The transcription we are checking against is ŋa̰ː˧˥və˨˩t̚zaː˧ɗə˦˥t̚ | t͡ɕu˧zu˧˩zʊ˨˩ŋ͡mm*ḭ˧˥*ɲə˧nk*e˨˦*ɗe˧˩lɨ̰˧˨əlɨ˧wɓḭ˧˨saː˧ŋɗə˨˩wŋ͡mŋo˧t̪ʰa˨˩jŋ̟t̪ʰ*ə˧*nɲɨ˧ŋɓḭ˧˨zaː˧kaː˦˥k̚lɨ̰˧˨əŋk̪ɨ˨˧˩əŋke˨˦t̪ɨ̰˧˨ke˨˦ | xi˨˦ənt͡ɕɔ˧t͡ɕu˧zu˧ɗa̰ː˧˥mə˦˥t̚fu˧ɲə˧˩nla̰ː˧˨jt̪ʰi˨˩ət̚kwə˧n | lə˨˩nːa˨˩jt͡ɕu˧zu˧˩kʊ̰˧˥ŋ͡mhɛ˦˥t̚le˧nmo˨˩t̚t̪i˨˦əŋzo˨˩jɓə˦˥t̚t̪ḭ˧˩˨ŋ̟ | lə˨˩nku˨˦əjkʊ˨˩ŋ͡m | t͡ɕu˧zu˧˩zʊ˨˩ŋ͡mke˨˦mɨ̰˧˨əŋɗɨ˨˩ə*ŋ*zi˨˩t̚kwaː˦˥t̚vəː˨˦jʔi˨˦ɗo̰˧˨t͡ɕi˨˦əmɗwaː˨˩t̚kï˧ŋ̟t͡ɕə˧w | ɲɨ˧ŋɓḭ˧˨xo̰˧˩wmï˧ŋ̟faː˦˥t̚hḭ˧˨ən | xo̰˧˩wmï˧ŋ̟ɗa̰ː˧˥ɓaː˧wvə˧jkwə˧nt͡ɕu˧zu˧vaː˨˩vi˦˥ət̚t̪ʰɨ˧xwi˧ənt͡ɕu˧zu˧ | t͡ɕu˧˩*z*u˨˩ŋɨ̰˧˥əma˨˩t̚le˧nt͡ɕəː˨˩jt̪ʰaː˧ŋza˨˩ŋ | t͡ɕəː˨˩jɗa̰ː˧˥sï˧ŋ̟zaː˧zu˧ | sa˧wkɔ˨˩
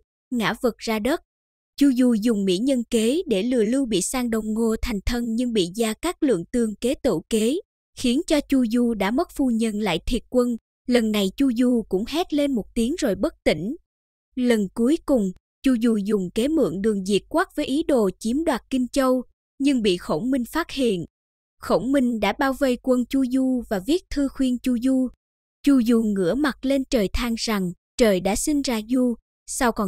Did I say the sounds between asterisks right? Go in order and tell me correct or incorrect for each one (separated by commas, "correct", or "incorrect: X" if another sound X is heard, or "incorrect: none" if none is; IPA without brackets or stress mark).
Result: correct, correct, correct, correct, correct